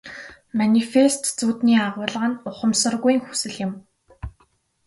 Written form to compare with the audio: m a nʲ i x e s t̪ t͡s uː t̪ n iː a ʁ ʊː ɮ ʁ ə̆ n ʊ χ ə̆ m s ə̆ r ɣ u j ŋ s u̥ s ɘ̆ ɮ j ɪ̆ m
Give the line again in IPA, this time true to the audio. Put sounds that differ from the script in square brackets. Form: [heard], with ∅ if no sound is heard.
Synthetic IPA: m a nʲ i [f] e s t̪ t͡s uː t̪ n iː a ʁ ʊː ɮ ʁ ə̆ n ʊ χ ə̆ m s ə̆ r ɣ u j ŋ [x] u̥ s ɘ̆ ɮ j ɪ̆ m